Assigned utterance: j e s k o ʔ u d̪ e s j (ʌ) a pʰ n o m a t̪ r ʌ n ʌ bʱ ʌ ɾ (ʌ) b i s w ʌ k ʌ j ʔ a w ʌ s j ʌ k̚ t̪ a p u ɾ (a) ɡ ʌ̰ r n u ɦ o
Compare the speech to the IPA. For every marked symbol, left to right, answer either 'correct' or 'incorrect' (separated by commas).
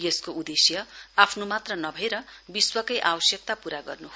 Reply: correct, correct, correct